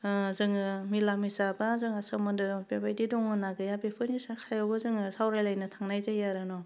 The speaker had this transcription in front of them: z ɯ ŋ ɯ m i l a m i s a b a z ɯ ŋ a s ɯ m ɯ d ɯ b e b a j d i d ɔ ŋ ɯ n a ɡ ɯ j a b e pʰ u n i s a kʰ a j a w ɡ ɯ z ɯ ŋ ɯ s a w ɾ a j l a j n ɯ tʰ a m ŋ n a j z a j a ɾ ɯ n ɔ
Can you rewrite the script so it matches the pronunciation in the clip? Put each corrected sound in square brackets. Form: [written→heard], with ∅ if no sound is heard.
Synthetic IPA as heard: z ɯ ŋ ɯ m i l a m i s a b a z ɯ ŋ a s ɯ m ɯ d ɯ b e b a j d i d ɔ ŋ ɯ n a ɡ ɯ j a b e pʰ [u→ɯ] n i s a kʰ a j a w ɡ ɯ z ɯ ŋ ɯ s a w ɾ a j l a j n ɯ tʰ a [m→∅] ŋ n a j z a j a ɾ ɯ n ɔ